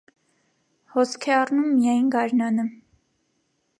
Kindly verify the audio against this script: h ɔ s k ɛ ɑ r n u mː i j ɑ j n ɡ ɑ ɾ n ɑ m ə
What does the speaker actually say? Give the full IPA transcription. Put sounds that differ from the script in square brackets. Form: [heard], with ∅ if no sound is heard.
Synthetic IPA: h ɔ s [kʰ] ɛ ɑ r n u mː i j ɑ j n ɡ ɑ ɾ n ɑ [n] ə

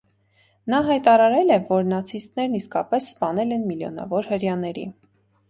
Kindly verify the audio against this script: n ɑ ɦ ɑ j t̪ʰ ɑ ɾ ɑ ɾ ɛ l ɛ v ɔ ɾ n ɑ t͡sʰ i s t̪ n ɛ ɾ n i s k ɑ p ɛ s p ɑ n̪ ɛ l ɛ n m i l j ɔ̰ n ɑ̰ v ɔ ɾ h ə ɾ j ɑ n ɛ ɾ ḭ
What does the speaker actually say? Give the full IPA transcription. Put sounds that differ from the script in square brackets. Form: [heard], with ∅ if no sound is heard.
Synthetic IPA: n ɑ ɦ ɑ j [t̪] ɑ ɾ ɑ ɾ ɛ l ɛ v ɔ ɾ n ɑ t͡sʰ i s t̪ n ɛ ɾ n i s k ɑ p ɛ [sː] p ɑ n̪ ɛ l ɛ n m i l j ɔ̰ n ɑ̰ v ɔ ɾ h ə ɾ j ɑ n ɛ ɾ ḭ

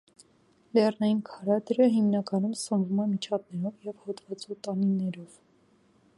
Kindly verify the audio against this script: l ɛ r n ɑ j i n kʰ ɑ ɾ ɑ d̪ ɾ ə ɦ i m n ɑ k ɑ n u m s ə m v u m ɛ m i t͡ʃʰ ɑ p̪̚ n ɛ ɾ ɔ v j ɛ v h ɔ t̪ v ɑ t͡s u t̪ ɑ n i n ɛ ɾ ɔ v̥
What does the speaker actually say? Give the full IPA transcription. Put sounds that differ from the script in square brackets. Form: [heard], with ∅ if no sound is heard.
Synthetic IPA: l ɛ r n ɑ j i n kʰ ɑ ɾ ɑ d̪ ɾ ə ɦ i m n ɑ k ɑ n u m s ə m v u m ɛ m i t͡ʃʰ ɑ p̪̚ n ɛ ɾ ɔ v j ɛ v h ɔ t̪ v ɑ t͡s u t̪ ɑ n i n ɛ ɾ ɔ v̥

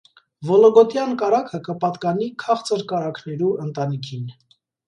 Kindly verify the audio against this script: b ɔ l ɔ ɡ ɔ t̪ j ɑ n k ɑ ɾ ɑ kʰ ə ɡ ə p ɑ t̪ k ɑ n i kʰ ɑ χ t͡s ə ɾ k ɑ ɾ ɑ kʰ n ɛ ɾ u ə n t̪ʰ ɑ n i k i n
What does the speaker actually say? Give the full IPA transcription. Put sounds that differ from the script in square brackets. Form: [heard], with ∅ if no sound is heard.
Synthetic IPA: [v] ɔ l ɔ ɡ ɔ t̪ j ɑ n k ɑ ɾ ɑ kʰ ə [k] ə p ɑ t̪ k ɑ n i kʰ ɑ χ t͡s ə ɾ k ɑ ɾ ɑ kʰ n ɛ ɾ u ə n [t̪] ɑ n i [kʰ] i n

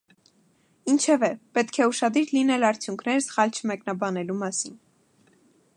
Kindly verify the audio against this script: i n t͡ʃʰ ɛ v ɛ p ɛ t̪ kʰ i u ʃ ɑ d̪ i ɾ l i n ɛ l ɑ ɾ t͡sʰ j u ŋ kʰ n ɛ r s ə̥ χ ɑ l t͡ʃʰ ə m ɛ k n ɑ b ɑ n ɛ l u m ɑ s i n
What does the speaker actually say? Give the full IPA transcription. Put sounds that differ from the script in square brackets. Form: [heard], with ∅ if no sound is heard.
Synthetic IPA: i n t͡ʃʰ ɛ v ɛ p ɛ t̪ kʰ [ɛ] u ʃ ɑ d̪ i ɾ l i n ɛ l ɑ ɾ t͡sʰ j u ŋ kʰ n ɛ [ɾ] s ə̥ χ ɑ l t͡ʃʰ ə m ɛ k n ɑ b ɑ n ɛ l u m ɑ s i n

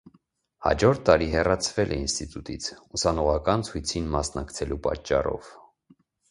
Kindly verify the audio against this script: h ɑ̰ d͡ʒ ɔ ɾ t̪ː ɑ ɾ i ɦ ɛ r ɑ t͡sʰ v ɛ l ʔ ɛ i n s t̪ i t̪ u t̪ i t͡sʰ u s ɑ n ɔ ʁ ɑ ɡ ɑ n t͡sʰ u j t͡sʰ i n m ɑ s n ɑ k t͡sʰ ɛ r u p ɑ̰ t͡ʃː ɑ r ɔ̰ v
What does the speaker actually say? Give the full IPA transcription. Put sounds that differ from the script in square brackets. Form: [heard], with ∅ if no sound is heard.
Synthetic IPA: h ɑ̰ d͡ʒ ɔ ɾ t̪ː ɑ ɾ i ɦ ɛ r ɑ t͡sʰ v ɛ l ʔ ɛ i n s t̪ i t̪ u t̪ i t͡sʰ u s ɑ n ɔ ʁ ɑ [k] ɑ n t͡sʰ u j t͡sʰ i n m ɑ s n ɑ k t͡sʰ ɛ [l] u p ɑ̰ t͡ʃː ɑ r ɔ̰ v

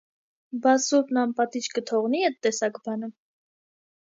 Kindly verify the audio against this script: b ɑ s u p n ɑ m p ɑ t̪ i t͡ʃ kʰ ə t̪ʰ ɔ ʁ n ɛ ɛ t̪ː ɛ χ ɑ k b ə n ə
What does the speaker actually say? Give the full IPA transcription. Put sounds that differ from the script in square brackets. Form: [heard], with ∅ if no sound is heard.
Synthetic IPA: b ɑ s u p n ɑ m p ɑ t̪ i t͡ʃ [k] ə t̪ʰ ɔ ʁ n [i] ɛ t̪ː ɛ [s] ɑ k b [ɑ] n ə

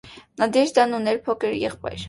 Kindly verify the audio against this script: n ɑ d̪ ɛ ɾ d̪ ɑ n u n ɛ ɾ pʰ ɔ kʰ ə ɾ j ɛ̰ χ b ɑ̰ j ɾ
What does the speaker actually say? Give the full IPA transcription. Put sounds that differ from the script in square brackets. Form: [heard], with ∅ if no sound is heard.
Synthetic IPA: n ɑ d̪ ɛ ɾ d̪ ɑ n u n ɛ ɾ pʰ ɔ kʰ ə ɾ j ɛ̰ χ [p] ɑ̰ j ɾ

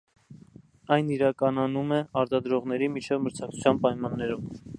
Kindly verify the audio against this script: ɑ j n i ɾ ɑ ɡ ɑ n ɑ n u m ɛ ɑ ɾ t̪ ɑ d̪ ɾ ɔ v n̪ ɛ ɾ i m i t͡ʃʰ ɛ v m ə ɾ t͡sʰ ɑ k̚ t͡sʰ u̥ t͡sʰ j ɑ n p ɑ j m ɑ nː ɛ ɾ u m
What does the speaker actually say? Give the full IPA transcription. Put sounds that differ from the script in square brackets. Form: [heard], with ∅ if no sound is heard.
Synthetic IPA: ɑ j n i ɾ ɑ [k] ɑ n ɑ n u m ɛ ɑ ɾ t̪ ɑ d̪ ɾ ɔ [ʁ] n̪ ɛ ɾ i m i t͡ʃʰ ɛ v m ə ɾ t͡sʰ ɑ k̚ t͡sʰ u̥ t͡sʰ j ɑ n p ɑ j m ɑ nː ɛ ɾ u m

